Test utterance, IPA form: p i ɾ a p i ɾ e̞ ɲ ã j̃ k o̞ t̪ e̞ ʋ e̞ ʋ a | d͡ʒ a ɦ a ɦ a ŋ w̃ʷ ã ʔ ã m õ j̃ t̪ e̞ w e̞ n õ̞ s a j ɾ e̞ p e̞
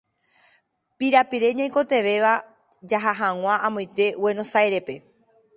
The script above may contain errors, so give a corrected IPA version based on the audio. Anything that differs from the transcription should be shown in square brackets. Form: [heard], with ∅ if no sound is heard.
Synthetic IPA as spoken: p i ɾ a p i ɾ e̞ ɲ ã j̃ k o̞ t̪ e̞ ʋ e̞ ʋ a | d͡ʒ a ɦ a ɦ a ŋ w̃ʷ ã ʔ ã m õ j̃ t̪ e̞ w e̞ n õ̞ s a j ɾ e̞ p e̞